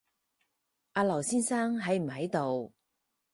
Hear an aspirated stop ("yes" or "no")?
no